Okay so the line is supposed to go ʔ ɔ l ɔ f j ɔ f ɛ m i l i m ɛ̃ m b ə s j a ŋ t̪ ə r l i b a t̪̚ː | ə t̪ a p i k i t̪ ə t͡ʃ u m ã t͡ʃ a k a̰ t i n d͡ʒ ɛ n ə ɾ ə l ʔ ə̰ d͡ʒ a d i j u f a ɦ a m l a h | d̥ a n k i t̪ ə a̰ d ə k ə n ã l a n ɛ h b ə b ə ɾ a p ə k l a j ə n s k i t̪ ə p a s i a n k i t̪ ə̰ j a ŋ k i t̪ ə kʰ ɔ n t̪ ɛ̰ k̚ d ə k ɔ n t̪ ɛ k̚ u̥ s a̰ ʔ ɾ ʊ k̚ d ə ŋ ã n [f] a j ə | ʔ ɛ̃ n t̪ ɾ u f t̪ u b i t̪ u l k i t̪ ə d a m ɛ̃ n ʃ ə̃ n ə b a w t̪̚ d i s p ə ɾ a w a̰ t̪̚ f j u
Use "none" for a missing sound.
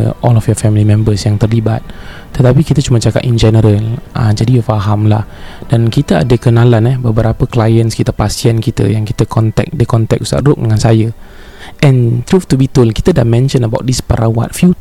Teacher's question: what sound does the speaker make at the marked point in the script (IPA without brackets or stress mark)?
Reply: s